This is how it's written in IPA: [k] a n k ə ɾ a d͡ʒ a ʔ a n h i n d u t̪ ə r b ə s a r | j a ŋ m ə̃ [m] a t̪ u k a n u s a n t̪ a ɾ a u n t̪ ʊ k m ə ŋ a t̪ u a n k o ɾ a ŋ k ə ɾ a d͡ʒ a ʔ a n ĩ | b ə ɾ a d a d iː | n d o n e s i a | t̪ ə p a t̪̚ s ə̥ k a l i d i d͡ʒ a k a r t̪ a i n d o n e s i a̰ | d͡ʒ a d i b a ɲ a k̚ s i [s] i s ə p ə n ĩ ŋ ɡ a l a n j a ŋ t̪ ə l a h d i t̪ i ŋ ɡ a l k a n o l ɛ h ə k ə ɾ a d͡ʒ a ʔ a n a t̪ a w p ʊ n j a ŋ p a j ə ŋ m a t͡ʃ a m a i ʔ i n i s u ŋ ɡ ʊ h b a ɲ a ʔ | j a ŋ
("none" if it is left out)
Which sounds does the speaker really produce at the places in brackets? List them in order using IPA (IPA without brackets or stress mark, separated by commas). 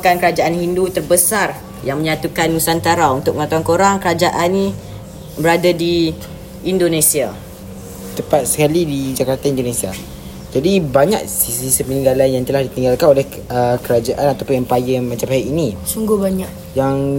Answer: k, ɲ, s